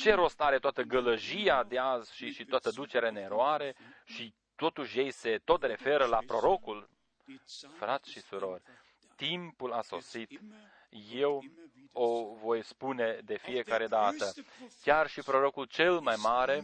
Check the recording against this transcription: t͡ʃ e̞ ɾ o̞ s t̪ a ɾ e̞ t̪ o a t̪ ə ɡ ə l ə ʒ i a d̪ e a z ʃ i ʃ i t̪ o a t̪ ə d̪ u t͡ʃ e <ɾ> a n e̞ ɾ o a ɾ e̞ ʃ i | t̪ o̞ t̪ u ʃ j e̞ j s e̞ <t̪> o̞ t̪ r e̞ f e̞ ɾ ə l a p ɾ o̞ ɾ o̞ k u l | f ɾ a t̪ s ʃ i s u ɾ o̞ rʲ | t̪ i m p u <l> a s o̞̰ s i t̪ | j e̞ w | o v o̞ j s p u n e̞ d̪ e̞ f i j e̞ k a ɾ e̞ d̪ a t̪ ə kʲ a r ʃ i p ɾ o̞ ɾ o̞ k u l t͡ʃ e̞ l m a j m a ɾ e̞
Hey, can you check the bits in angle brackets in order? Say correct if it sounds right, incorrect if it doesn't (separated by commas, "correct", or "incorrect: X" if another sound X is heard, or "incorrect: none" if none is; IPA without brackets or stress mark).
correct, correct, correct